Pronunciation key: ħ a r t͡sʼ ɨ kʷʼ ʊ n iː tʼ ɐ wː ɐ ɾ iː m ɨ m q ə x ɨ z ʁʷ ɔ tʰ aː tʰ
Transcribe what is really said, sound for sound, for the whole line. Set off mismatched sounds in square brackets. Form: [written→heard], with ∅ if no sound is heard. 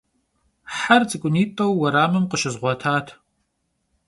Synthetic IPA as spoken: ħ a r t͡sʼ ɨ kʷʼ ʊ n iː tʼ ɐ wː ɐ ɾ [iː→aː] m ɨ m q ə [x→ʃ] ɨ z ʁʷ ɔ tʰ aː tʰ